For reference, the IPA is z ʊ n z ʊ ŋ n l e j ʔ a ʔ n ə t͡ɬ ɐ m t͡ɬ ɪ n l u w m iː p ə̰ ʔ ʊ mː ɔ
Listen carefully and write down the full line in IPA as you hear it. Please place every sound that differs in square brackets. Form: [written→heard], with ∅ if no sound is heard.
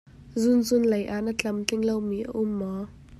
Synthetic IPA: z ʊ n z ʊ [ŋ→∅] n l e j ʔ a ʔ n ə t͡ɬ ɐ m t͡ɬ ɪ [n→ŋ] l [u→o] w m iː [p→ʔ] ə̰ ʔ ʊ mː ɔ